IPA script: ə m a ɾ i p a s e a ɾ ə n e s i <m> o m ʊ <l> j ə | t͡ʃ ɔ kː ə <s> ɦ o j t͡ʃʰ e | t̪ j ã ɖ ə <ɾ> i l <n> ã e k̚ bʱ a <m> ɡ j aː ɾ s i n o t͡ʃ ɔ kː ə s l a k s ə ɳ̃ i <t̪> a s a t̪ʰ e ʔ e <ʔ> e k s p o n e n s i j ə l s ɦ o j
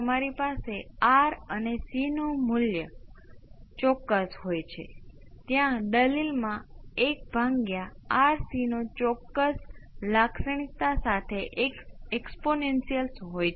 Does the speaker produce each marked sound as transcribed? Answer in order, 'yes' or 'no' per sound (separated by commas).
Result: no, yes, yes, no, no, no, yes, no